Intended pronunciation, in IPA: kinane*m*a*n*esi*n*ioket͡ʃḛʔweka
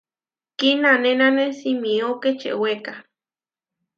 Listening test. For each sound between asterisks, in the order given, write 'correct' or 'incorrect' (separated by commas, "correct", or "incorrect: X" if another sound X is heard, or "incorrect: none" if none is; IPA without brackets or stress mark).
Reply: incorrect: n, correct, incorrect: m